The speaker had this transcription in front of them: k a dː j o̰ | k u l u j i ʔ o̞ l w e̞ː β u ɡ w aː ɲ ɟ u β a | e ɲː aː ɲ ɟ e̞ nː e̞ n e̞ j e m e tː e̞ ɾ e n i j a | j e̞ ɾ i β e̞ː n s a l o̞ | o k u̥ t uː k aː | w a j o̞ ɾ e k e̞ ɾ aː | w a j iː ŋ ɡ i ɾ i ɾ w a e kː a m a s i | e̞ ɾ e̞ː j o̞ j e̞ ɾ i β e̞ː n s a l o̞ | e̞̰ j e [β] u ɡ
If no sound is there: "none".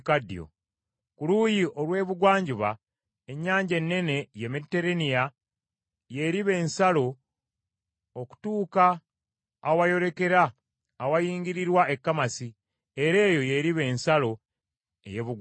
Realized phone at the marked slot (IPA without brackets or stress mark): β